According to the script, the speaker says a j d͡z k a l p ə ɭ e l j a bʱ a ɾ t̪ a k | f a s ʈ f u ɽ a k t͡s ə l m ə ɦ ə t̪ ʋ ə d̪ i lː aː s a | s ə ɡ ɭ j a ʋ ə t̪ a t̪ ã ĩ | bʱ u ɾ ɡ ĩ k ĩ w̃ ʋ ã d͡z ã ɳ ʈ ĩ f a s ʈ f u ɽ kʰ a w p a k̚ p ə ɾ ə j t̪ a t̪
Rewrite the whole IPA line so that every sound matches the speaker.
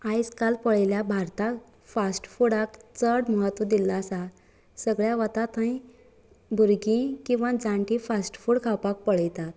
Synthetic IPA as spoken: a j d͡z k a l p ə ɭ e l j a bʱ a ɾ t̪ a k | f a s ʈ f u ɽ a k t͡s ə ɽ m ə ɦ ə t̪ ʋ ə d̪ i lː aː s a | s ə ɡ ɭ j a ʋ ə t̪ a t̪ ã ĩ | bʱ u ɾ ɡ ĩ k ĩ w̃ ʋ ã d͡z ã ɳ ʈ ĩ f a s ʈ f u ɽ kʰ a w p a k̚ p ə ɭ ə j t̪ a t̪